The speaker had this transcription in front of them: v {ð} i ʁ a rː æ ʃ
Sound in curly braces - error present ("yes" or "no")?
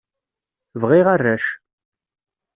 yes